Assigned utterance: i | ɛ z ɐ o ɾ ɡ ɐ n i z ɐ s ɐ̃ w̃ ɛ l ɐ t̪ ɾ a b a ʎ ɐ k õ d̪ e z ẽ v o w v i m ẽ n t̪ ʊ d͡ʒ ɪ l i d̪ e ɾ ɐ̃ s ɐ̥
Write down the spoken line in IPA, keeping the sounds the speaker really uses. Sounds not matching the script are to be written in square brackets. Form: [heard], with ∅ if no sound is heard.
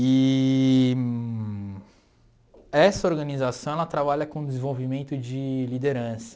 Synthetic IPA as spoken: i | ɛ [s] ɐ o ɾ ɡ ɐ n i z [a] s ɐ̃ w̃ ɛ l ɐ t̪ ɾ a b a ʎ ɐ k õ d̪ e z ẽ v o w v i m ẽ n t̪ ʊ d͡ʒ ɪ l i d̪ e ɾ ɐ̃ s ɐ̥